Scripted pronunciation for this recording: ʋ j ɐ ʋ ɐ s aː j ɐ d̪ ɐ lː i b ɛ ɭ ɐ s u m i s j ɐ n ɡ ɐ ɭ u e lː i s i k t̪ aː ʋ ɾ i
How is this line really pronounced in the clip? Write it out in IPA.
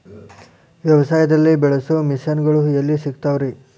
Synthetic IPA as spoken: ʋ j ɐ ʋ ɐ s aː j ɐ d̪ ɐ lː i b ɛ ɭ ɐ s u m i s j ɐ n ɡ ɐ ɭ u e lː i s i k t̪ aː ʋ ɾ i